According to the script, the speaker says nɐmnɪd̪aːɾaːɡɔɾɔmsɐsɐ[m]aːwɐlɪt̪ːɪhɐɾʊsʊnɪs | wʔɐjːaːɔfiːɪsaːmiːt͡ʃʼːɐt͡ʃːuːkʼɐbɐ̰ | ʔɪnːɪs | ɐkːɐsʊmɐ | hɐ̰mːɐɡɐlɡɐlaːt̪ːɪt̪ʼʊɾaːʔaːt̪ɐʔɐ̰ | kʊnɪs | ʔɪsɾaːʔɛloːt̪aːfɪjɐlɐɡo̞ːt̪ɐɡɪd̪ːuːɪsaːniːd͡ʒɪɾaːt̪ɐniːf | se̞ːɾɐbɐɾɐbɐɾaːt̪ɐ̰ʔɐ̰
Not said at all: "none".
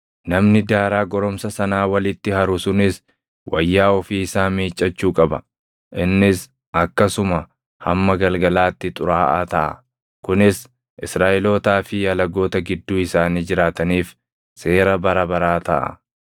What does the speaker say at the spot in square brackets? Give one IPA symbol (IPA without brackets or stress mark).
n